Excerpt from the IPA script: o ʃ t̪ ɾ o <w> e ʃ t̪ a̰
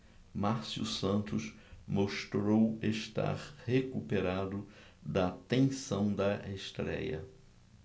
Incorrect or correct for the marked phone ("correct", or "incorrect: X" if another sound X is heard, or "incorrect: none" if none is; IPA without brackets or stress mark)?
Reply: correct